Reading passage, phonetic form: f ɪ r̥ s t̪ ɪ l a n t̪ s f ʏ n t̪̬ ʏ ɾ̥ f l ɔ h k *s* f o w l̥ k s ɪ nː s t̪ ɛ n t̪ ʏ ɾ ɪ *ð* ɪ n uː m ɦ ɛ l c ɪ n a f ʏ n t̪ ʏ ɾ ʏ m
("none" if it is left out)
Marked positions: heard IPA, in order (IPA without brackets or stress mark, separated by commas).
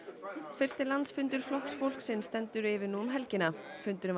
s, v